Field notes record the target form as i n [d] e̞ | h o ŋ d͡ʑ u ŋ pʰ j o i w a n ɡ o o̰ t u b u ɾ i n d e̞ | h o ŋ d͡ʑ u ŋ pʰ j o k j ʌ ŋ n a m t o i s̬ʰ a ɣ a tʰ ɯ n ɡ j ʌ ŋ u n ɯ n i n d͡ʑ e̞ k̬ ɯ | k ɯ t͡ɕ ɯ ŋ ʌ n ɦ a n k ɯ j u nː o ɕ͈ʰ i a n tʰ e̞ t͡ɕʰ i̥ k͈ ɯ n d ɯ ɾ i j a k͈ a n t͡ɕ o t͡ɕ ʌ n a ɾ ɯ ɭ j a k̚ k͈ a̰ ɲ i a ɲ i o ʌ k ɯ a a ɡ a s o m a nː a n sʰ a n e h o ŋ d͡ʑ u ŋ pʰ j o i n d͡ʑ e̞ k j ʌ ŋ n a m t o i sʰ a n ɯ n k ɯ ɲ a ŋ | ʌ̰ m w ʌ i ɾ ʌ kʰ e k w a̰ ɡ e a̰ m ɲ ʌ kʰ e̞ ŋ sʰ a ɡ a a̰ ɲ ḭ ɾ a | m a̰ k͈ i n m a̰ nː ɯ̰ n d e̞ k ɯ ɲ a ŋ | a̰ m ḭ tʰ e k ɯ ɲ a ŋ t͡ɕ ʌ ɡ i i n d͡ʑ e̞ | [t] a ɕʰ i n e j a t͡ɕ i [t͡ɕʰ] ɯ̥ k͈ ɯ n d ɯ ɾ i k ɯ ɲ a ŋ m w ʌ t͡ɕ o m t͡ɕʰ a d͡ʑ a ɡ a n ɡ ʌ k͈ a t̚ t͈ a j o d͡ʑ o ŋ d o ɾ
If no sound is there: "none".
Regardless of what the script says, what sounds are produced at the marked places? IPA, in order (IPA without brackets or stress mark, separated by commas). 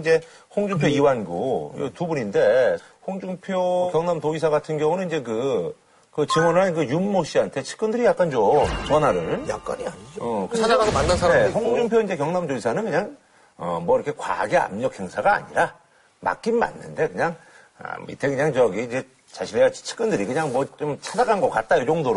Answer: d͡ʑ, t͡ɕ, t͡ɕʰ